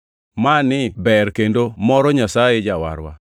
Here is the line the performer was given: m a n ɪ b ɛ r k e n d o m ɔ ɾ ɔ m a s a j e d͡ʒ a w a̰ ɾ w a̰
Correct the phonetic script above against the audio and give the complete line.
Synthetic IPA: m a n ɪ b ɛ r k e n d o m ɔ ɾ ɔ ɲ a s a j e d͡ʒ a w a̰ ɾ w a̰